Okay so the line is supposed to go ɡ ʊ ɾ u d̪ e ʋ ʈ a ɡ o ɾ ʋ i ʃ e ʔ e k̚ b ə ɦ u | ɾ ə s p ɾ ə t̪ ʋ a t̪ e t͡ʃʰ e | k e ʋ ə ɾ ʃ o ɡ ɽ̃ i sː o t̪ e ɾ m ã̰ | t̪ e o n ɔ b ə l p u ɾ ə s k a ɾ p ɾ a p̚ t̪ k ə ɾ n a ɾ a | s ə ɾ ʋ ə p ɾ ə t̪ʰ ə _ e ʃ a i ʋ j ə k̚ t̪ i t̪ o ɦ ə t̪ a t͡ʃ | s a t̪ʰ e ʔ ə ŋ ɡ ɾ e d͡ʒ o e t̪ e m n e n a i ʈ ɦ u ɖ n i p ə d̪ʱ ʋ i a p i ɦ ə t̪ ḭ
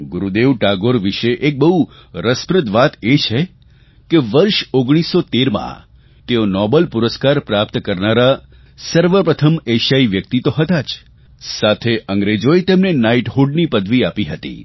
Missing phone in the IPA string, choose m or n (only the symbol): m